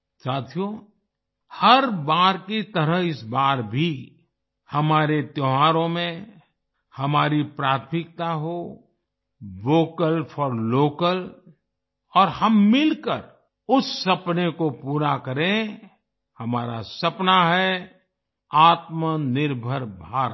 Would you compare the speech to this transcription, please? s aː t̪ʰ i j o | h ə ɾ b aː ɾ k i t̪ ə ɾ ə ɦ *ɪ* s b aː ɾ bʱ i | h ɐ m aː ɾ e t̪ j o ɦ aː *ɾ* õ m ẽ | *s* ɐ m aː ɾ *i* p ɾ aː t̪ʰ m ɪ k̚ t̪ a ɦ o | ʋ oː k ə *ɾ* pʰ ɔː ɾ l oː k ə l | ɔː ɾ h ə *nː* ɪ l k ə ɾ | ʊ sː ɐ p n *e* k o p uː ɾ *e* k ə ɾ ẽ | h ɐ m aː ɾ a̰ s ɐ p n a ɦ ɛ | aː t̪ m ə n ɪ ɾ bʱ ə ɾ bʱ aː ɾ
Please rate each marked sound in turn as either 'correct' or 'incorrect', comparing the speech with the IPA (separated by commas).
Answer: correct, correct, incorrect, correct, incorrect, incorrect, correct, incorrect